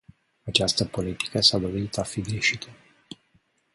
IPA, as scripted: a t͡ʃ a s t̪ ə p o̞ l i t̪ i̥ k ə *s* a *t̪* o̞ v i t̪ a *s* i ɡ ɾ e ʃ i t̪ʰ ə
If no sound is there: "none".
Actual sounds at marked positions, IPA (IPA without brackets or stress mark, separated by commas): s, d̪, f